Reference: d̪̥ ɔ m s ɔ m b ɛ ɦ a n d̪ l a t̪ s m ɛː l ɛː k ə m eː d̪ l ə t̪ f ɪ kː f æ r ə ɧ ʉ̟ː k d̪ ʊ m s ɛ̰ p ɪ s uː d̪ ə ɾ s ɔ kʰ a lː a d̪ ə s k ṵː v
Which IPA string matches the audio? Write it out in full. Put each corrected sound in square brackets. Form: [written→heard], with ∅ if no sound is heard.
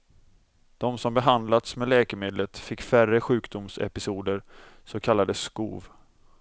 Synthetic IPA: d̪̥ ɔ m s ɔ m b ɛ ɦ a n d̪ l a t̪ s m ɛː l ɛː k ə m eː d̪ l ə t̪ f ɪ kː f æ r ə ɧ ʉ̟ː k d̪ ʊ m s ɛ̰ p ɪ s uː d̪ ə ɾ s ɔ kʰ a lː a d̪ ə s k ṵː v